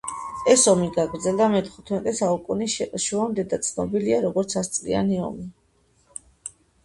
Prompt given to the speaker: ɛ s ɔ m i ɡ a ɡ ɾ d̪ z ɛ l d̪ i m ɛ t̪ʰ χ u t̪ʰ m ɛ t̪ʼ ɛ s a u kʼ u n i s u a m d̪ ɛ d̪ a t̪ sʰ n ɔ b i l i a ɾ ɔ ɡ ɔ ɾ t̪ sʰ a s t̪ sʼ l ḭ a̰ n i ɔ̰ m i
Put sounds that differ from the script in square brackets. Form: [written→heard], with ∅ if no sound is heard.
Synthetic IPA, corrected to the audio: ɛ s ɔ m i ɡ a ɡ ɾ d̪ z ɛ l d̪ [i→a] m ɛ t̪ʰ χ u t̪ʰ m ɛ t̪ʼ ɛ s a u kʼ u n i [s→ʃ] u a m d̪ ɛ d̪ a t̪ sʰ n ɔ b i l i a ɾ ɔ ɡ ɔ ɾ t̪ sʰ a s t̪ sʼ l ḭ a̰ n i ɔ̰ m i

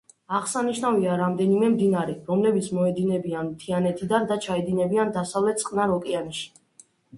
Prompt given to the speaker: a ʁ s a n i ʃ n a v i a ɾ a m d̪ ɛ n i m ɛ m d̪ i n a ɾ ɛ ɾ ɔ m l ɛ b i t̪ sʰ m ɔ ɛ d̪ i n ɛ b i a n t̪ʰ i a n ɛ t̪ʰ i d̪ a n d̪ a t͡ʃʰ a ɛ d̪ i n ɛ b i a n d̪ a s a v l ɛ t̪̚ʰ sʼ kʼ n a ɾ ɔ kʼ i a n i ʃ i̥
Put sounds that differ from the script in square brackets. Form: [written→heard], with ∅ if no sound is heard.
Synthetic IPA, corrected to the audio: a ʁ s a n i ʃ n a v i a ɾ a m d̪ ɛ n i m ɛ m d̪ i n a ɾ ɛ ɾ ɔ m l ɛ b i t̪ sʰ m ɔ ɛ d̪ i n ɛ b i a n t̪ʰ i a n ɛ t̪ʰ i d̪ a n d̪ a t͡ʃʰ a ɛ d̪ i n ɛ b i a n d̪ a s a v l ɛ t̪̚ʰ sʼ [kʼ→qʼ] n a ɾ ɔ kʼ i a n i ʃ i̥

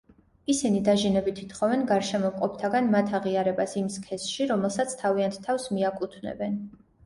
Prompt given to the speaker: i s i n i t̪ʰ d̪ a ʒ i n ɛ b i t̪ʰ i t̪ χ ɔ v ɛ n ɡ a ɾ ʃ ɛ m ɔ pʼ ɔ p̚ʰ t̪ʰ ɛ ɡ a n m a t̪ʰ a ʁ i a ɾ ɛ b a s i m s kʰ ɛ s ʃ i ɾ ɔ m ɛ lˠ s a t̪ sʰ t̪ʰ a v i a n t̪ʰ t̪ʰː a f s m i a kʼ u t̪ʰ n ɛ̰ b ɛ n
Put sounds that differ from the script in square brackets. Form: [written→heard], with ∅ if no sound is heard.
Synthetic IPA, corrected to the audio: i s i n i [t̪ʰ→∅] d̪ a ʒ i n ɛ b i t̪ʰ i t̪ χ ɔ v ɛ n ɡ a ɾ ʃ ɛ m ɔ [pʼ→qʼ] ɔ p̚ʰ t̪ʰ [ɛ→a] ɡ a n m a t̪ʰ a ʁ i a ɾ ɛ b a s i m s kʰ ɛ s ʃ i ɾ ɔ m ɛ lˠ s a t̪ sʰ t̪ʰ a v i a n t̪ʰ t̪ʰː a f s m i a kʼ u t̪ʰ n ɛ̰ b ɛ n

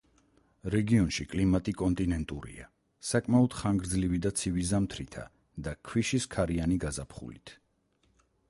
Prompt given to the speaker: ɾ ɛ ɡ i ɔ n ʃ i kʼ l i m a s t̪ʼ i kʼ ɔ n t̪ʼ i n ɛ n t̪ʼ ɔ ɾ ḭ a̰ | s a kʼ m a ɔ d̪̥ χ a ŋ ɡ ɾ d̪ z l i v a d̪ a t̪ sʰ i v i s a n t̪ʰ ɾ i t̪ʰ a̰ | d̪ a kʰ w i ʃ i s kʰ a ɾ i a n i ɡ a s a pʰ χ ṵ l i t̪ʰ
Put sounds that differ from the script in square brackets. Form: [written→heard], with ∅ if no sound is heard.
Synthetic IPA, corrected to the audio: ɾ ɛ ɡ i ɔ n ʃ i kʼ l i m a [s→∅] t̪ʼ i kʼ ɔ n t̪ʼ i n ɛ n t̪ʼ [ɔ→u] ɾ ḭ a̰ | s a kʼ m a ɔ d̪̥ χ a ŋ ɡ ɾ d̪ z l i v [a→i] d̪ a t̪ sʰ i v i [s→z] a [n→m] t̪ʰ ɾ i t̪ʰ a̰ | d̪ a kʰ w i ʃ i s kʰ a ɾ i a n i ɡ a [s→z] a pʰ χ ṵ l i t̪ʰ

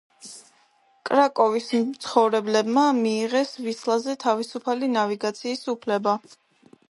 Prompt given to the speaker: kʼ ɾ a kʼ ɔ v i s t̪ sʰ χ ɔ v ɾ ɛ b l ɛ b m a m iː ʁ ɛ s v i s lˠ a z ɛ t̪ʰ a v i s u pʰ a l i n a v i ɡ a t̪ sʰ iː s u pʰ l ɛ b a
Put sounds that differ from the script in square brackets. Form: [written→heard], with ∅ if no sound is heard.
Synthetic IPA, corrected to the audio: kʼ ɾ a kʼ ɔ v i s t̪ sʰ χ ɔ v ɾ ɛ b l ɛ b m a m iː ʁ ɛ s v i s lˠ a z ɛ t̪ʰ a v i s u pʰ a l i n a v i ɡ a t̪ sʰ iː s u pʰ l ɛ b a

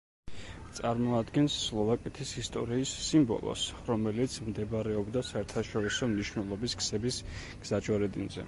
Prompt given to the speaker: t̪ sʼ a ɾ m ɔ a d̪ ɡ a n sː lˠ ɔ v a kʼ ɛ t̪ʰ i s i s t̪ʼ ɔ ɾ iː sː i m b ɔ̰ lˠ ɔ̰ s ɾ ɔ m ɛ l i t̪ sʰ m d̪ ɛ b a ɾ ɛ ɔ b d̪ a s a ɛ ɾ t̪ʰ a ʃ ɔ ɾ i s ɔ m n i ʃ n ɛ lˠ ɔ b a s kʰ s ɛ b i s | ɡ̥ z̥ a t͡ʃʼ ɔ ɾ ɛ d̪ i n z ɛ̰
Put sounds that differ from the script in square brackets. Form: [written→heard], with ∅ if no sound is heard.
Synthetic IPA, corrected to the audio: t̪ sʼ a ɾ m ɔ a d̪ ɡ [a→ɛ] n sː lˠ ɔ v a kʼ ɛ t̪ʰ i s i s t̪ʼ ɔ ɾ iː sː i m b ɔ̰ lˠ ɔ̰ s ɾ ɔ m ɛ l i t̪ sʰ m d̪ ɛ b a ɾ ɛ ɔ b d̪ a s a ɛ ɾ t̪ʰ a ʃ ɔ ɾ i s ɔ m n i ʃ n ɛ lˠ ɔ b [a→i] s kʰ s ɛ b i s | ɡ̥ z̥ a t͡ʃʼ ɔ ɾ ɛ d̪ i n z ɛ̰

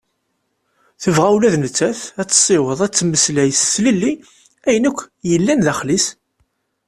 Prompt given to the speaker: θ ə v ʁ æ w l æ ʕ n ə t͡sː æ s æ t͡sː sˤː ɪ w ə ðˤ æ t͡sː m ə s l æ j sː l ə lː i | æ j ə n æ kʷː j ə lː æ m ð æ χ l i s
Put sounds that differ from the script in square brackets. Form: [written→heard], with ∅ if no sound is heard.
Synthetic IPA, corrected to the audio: θ ə v ʁ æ w l æ [ʕ→ð] n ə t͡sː æ [s→θ] æ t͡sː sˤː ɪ w ə ðˤ æ t͡sː m ə s l æ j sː l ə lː i | æ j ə n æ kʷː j ə lː æ [m→n] ð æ χ l i s

